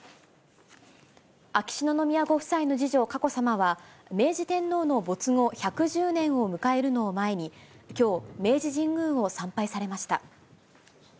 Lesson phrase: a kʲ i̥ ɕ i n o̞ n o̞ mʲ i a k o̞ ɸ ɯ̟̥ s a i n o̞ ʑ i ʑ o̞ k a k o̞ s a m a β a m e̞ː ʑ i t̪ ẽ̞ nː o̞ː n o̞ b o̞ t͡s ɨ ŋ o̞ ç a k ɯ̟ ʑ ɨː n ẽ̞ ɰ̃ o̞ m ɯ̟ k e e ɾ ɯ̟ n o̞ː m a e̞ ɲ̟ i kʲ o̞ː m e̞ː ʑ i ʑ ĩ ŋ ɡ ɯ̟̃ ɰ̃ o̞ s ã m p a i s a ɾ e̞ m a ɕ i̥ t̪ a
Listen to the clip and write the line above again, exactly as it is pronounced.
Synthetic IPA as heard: a kʲ i̥ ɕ i n o̞ n o̞ mʲ i a ɡ o̞ ɸ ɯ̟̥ s a i n o̞ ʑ i ʑ o̞ k a k o̞ s a m a β a m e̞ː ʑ i t̪ ẽ̞ nː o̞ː n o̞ b o̞ t͡s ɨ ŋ o̞ ç a k ɯ̟ ʑ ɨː n ẽ̞ ɰ̃ o̞ m ɯ̟ k a e ɾ ɯ̟ n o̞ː m a e̞ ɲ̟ i kʲ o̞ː m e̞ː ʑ i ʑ ĩ ŋ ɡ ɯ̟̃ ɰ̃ o̞ s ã m p a i s a ɾ e̞ m a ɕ i̥ t̪ a

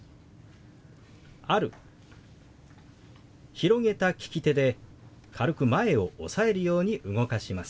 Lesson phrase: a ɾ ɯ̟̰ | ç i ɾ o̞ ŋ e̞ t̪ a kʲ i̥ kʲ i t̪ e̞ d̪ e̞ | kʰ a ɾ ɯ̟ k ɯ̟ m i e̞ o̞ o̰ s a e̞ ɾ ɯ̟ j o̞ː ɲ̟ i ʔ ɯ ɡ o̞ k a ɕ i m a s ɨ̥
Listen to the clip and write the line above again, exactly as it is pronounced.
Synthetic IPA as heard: a ɾ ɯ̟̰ | ç i ɾ o̞ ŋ e̞ t̪ a kʲ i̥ kʲ i t̪ e̞ d̪ e̞ | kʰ a ɾ ɯ̟ k ɯ̟ m a e̞ o̞ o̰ s a e̞ ɾ ɯ̟ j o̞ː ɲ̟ i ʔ ɯ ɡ o̞ k a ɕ i m a s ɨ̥

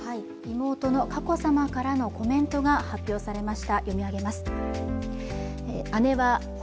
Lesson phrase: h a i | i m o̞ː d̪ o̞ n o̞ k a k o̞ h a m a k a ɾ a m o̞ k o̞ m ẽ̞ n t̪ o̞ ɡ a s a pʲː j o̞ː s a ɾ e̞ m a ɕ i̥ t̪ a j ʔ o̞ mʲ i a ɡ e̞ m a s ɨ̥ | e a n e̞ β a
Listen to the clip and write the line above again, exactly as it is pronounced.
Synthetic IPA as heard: h a i | i m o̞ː t̪ o̞ n o̞ k a k o̞ s a m a k a ɾ a n o̞ k o̞ m ẽ̞ n t̪ o̞ ɡ a h a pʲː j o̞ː s a ɾ e̞ m a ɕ i̥ t̪ a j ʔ o̞ mʲ i a ɡ e̞ m a s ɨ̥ | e a n e̞ β a

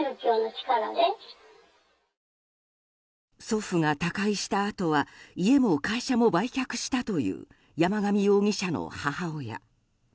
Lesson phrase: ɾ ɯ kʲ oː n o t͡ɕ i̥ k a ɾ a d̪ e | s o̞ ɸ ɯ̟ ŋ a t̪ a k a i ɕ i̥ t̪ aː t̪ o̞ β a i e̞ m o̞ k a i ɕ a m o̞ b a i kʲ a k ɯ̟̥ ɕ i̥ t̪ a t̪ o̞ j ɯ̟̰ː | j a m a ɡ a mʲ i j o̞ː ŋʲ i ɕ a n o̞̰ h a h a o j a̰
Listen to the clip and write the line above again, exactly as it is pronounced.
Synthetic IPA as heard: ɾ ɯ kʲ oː n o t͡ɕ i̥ k a ɾ a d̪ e | s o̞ ɸ ɯ̟ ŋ a t̪ a k a i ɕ i̥ t̪ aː t̪ o̞ β a i e̞ m o̞ k a i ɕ a m o̞ b a i kʲ a k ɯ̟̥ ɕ i̥ t̪ a t̪ o̞ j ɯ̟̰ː | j a m a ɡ a mʲ i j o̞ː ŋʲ i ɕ a n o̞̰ h a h a o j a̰

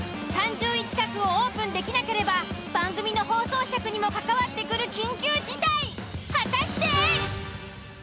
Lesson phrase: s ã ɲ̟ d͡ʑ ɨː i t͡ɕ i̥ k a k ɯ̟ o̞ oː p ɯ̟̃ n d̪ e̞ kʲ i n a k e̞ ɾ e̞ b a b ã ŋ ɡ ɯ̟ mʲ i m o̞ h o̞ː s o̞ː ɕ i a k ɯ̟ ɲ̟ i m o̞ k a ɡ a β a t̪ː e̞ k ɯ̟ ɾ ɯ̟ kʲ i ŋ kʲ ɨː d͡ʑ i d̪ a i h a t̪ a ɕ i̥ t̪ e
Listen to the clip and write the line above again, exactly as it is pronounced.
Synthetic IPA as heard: s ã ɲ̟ d͡ʑ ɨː i t͡ɕ i̥ k a k ɯ̟ o̞ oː p ɯ̟̃ n d̪ e̞ kʲ i n a k e̞ ɾ e̞ b a b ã ŋ ɡ ɯ̟ mʲ i n o̞ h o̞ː s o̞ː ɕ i a k ɯ̟ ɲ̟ i m o̞ k a k a β a t̪ː e̞ k ɯ̟ ɾ ɯ̟ kʲ ĩ ŋ kʲ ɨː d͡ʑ i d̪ a i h a t̪ a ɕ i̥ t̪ e

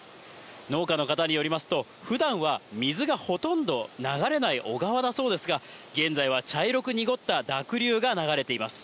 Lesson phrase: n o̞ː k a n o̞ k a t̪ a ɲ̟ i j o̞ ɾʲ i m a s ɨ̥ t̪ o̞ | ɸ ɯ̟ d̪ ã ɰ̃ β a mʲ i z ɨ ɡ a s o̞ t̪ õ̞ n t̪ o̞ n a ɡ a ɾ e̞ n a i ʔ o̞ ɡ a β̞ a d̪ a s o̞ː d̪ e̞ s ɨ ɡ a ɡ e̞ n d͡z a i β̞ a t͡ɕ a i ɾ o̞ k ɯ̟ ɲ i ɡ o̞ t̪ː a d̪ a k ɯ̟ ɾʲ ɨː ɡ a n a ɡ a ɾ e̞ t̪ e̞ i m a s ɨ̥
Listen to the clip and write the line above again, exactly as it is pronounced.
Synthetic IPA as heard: n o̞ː k a n o̞ k a t̪ a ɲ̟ i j o̞ ɾʲ i m a s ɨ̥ t̪ o̞ | ɸ ɯ̟ d̪ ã ɰ̃ β a mʲ i z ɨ ɡ a h o̞ t̪ õ̞ n d̪ o̞ n a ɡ a ɾ e̞ n a i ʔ o̞ ɡ a β̞ a d̪ a s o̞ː d̪ e̞ s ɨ ɡ a ɡ ẽ̞ n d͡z a i β̞ a t͡ɕ a i ɾ o̞ k ɯ̟ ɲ i ɡ o̞ t̪ː a d̪ a k ɯ̟ ɾʲ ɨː ɡ a n a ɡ a ɾ e̞ t̪ e̞ i m a s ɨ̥

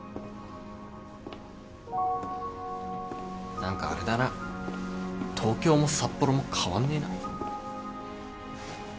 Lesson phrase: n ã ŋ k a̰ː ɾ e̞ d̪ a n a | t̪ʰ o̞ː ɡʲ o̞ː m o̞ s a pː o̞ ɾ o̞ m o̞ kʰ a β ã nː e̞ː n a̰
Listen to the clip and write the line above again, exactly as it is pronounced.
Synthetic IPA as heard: n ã ŋ k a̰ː ɾ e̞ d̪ a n a | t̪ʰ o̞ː kʲ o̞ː m o̞ s a pː o̞ ɾ o̞ m o̞ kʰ a β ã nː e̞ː n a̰

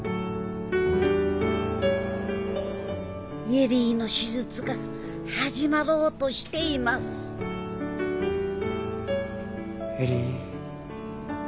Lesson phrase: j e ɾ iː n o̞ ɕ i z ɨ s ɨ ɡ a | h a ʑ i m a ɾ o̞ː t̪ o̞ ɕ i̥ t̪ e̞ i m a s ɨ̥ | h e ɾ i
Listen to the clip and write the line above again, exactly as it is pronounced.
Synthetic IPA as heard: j e ɾ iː n o̞ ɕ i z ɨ t͡s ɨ ɡ a | h a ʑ i m a ɾ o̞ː t̪ o̞ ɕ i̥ t̪ e̞ i m a s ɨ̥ | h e ɾ i

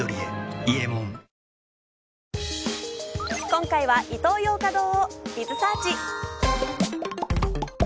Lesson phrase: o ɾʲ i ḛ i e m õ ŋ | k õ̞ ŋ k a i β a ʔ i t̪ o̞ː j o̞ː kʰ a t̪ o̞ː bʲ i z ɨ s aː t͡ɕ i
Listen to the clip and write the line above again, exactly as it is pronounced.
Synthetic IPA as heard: o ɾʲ i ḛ i e m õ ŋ | k õ̞ ŋ k a i β a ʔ i t̪ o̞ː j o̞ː k a d̪ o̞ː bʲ i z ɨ s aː t͡ɕ i

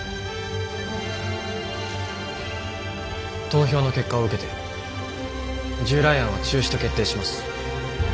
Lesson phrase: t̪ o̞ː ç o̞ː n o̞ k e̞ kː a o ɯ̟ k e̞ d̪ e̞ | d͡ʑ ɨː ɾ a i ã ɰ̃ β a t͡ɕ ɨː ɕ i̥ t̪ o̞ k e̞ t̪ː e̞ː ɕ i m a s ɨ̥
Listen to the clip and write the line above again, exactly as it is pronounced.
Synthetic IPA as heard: t̪ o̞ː ç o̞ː n o̞ k e̞ kː a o ɯ̟ k e̞ t̪ e̞ | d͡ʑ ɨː ɾ a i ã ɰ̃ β a t͡ɕ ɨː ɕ i̥ t̪ o̞ k e̞ t̪ː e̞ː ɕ i m a s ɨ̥

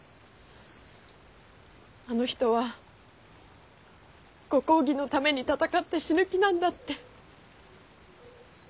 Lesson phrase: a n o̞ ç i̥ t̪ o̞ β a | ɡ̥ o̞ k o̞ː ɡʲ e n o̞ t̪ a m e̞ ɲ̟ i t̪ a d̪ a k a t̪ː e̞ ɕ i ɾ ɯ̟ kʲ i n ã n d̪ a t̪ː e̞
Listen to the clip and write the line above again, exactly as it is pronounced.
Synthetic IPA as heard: a n o̞ ç i̥ t̪ o̞ β a | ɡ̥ o̞ k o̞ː ɡʲ i n o̞ t̪ a m e̞ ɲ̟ i t̪ a t̪ a k a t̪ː e̞ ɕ i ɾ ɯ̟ kʲ i n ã n d̪ a t̪ː e̞

